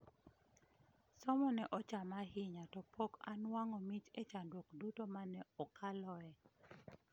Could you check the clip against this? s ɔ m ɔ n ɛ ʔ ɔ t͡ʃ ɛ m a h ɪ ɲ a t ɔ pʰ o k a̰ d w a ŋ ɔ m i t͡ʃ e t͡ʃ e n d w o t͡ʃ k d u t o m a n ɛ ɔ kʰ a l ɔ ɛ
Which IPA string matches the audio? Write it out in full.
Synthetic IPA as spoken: s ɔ m ɔ n ɛ ʔ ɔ t͡ʃ a m a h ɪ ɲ a t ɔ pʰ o k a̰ n w a ŋ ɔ m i t͡ʃ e t͡ʃ a n d w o k d u t o m a n ɛ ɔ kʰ a l ɔ ɛ